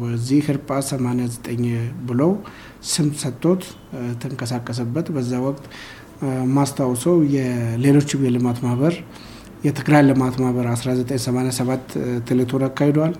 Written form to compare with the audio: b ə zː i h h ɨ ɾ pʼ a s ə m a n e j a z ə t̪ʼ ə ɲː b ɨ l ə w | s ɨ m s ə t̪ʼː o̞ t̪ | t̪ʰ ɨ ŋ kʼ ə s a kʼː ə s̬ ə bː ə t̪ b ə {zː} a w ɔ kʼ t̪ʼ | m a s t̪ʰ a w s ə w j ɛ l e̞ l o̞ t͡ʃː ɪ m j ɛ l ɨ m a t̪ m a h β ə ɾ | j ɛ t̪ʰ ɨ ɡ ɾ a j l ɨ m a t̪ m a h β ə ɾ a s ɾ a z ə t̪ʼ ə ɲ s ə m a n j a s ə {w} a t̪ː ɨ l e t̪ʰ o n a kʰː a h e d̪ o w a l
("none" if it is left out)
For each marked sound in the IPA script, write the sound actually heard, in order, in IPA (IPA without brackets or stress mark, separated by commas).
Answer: zː, β